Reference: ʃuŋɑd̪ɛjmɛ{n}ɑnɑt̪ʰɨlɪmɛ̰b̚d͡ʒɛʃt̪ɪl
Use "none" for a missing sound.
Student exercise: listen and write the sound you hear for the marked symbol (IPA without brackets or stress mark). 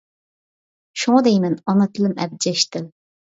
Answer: n